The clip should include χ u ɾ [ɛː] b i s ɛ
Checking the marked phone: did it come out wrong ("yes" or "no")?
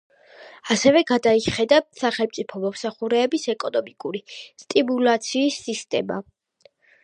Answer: no